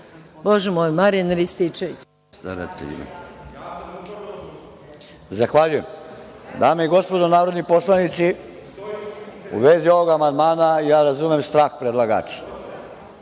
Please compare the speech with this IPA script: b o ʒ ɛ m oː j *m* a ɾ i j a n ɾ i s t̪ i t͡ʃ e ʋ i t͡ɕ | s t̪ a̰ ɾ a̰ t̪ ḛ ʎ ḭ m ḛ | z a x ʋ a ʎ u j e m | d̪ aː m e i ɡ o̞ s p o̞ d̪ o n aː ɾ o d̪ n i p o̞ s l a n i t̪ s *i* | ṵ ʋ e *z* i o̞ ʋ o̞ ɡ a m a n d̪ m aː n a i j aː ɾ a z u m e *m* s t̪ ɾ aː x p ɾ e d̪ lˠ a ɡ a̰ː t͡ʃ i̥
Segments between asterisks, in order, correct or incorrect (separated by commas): correct, correct, correct, correct